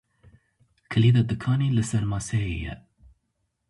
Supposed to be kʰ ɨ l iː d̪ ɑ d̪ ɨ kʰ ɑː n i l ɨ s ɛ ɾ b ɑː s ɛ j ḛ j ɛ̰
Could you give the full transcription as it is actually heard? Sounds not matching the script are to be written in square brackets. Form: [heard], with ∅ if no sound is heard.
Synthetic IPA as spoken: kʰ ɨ l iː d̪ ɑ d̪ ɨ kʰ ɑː n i l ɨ s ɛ ɾ [m] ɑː s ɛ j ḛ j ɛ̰